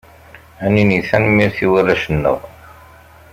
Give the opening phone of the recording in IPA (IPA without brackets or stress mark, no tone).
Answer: æ